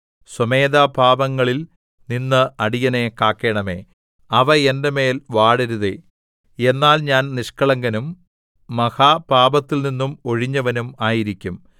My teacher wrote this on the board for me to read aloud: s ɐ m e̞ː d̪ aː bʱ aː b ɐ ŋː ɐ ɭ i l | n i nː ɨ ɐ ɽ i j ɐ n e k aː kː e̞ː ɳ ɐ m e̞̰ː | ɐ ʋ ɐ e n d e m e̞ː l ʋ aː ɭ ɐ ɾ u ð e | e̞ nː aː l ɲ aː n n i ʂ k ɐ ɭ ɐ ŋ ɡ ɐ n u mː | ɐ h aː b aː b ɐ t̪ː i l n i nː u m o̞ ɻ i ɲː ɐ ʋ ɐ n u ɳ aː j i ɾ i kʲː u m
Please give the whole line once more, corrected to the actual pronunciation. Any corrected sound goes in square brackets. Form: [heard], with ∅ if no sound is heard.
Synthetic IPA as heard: s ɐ m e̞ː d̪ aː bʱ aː b ɐ ŋː ɐ ɭ i l | n i nː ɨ ɐ ɽ i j ɐ n e k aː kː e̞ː ɳ ɐ m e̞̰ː | ɐ ʋ ɐ e n d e m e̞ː l ʋ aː [ɽ] ɐ ɾ u ð e | e̞ nː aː l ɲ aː n n i ʂ k ɐ ɭ ɐ ŋ ɡ ɐ n u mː | ɐ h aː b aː b ɐ t̪ː i l n i nː u m o̞ ɻ i ɲː ɐ ʋ ɐ n u [m] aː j i ɾ i kʲː u m

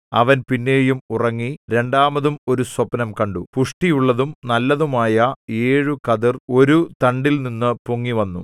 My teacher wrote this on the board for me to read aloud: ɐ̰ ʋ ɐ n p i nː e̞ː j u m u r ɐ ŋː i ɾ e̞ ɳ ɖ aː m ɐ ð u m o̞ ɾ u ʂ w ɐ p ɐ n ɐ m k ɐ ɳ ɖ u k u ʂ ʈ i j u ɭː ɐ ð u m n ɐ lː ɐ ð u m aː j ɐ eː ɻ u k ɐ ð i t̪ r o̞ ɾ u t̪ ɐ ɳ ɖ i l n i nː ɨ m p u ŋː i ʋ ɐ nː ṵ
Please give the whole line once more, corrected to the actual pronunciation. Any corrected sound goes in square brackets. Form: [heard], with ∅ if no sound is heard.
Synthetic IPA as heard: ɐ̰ ʋ ɐ n p i nː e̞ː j u m u r ɐ ŋː i ɾ e̞ ɳ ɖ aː m ɐ ð u m o̞ ɾ u [s] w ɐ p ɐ n ɐ m k ɐ ɳ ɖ u [p] u ʂ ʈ i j u ɭː ɐ ð u m n ɐ lː ɐ ð u m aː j ɐ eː ɻ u k ɐ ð i [∅] r o̞ ɾ u t̪ ɐ ɳ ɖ i l n i nː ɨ [∅] p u ŋː i ʋ ɐ nː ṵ

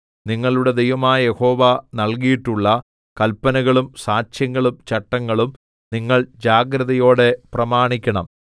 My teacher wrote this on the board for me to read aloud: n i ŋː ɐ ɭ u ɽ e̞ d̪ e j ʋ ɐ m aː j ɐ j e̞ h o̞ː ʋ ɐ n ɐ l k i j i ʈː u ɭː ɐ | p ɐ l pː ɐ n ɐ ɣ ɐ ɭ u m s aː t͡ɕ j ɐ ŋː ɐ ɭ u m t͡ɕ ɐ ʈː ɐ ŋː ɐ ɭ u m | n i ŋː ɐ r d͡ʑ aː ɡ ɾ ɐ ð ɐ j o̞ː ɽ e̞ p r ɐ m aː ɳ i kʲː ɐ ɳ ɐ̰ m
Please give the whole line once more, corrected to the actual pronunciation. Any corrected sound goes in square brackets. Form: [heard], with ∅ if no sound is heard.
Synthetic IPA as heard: n i ŋː ɐ ɭ u ɽ e̞ d̪ e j ʋ ɐ m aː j ɐ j e̞ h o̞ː ʋ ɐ n ɐ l k i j i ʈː u ɭː ɐ | [k] ɐ l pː ɐ n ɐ ɣ ɐ ɭ u m s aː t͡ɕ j ɐ ŋː ɐ ɭ u m t͡ɕ ɐ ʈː ɐ ŋː ɐ ɭ u m | n i ŋː ɐ [ɭ] d͡ʑ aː ɡ ɾ ɐ ð ɐ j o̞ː ɽ e̞ p r ɐ m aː ɳ i kʲː ɐ ɳ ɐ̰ m

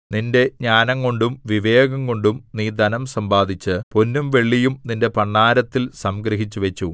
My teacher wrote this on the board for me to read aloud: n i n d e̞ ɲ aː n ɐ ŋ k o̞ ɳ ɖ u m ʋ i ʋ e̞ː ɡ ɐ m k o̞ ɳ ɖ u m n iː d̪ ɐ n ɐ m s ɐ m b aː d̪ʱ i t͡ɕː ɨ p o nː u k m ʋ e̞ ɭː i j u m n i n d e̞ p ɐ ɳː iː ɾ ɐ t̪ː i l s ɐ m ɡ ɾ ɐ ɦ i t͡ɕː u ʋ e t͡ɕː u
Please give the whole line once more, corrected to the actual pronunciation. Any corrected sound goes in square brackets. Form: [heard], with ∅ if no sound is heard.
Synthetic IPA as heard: n i n d e̞ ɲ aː n ɐ ŋ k o̞ ɳ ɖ u m ʋ i ʋ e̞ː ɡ ɐ [ŋ] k o̞ ɳ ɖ u m n iː d̪ ɐ n ɐ m s ɐ m b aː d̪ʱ i t͡ɕː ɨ p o nː u [∅] m ʋ e̞ ɭː i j u m n i n d e̞ p ɐ ɳː [aː] ɾ ɐ t̪ː i l s ɐ m ɡ ɾ ɐ ɦ i t͡ɕː u ʋ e t͡ɕː u

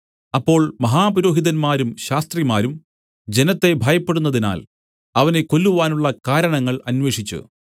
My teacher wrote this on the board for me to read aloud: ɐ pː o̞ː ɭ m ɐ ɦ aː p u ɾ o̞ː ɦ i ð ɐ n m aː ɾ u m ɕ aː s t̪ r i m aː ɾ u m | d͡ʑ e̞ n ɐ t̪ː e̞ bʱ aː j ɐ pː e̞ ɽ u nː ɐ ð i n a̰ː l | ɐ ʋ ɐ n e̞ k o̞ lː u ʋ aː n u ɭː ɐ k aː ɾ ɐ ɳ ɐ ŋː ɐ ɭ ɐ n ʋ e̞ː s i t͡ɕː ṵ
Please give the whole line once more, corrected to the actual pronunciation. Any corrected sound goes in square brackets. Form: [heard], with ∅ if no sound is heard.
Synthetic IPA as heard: ɐ pː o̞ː ɭ m ɐ ɦ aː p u ɾ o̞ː ɦ i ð ɐ n m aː ɾ u m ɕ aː s t̪ r i m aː ɾ u m | d͡ʑ e̞ n ɐ t̪ː e̞ bʱ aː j ɐ pː e̞ ɽ u nː ɐ ð i n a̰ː l | ɐ ʋ ɐ n e̞ k o̞ lː u ʋ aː n u ɭː ɐ k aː ɾ ɐ ɳ ɐ ŋː ɐ ɭ ɐ n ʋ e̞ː [ʂ] i t͡ɕː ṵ

